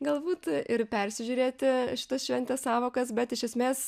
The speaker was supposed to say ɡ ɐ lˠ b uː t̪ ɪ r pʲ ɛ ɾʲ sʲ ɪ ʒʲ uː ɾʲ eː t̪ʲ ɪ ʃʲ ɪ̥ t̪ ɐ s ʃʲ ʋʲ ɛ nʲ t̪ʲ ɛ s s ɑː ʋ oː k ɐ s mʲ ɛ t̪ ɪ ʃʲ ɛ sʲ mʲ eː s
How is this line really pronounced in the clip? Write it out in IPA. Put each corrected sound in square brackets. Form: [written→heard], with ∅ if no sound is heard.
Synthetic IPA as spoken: ɡ ɐ lˠ b uː t̪ ɪ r pʲ ɛ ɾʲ sʲ ɪ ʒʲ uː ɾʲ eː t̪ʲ ɪ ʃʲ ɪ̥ t̪ ɐ s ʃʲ ʋʲ ɛ nʲ t̪ʲ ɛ s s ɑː ʋ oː k ɐ s [mʲ→bʲ] ɛ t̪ ɪ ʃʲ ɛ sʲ mʲ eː s